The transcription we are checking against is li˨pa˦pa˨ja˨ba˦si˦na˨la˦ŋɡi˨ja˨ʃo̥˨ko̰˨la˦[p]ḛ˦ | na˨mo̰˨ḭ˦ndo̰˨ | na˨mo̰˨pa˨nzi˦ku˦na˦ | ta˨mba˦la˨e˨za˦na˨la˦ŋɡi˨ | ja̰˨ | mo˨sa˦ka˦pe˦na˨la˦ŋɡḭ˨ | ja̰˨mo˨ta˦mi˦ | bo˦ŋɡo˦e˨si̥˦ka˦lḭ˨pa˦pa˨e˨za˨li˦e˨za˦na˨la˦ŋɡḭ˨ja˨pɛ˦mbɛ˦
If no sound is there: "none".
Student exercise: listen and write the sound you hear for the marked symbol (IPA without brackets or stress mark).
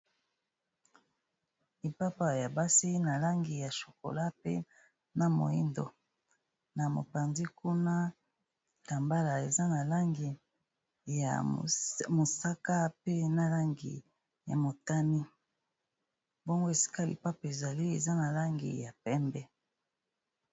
p